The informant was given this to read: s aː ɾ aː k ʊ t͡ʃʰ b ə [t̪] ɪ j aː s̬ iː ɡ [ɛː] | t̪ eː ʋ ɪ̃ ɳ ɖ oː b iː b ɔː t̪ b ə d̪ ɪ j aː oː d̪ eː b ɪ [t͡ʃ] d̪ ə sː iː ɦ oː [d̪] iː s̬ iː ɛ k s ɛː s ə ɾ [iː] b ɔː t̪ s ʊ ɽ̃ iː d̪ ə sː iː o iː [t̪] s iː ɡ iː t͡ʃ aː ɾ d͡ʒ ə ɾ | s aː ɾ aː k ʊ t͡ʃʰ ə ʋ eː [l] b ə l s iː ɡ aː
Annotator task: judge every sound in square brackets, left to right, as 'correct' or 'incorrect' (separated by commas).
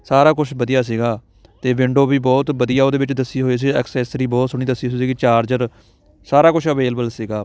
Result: incorrect, incorrect, correct, incorrect, correct, incorrect, correct